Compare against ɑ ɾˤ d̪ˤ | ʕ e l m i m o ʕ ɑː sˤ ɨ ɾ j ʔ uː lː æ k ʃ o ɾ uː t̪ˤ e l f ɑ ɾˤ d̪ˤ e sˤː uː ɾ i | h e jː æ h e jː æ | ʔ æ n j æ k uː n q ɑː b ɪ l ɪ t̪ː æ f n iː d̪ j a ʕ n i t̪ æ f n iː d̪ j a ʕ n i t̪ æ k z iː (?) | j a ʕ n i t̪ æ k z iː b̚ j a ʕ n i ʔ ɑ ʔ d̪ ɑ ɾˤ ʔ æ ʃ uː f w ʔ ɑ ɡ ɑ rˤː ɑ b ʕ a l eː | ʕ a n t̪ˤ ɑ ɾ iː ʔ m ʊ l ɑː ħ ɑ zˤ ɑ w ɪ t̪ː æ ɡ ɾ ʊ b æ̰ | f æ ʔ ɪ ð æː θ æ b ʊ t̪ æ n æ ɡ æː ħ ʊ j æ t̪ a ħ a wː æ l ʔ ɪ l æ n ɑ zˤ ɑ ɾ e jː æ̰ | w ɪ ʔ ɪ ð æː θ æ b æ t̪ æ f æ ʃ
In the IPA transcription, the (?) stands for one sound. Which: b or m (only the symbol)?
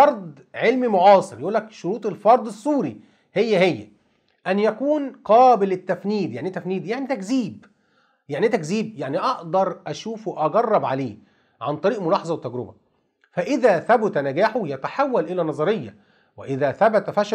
b